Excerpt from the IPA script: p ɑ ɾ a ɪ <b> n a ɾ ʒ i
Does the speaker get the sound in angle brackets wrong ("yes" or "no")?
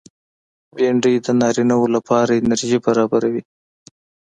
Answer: yes